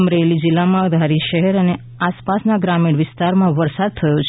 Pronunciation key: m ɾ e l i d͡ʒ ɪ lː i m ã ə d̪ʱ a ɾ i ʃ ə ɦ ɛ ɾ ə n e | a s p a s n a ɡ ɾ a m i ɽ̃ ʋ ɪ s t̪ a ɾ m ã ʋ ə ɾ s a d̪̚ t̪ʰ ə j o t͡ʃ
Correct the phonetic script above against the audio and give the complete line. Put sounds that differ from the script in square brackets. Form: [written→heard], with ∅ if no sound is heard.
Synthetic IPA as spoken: m ɾ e l i d͡ʒ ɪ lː [i→a] m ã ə d̪ʱ a ɾ i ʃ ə ɦ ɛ ɾ ə n e | a s p a s n a ɡ ɾ a m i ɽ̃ ʋ ɪ s t̪ a ɾ m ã ʋ ə ɾ s a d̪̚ t̪ʰ ə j o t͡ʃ